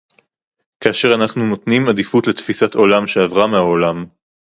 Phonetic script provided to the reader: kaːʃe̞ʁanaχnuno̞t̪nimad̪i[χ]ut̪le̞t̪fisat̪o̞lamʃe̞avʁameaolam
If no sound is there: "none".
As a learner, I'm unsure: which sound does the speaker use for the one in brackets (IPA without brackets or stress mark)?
f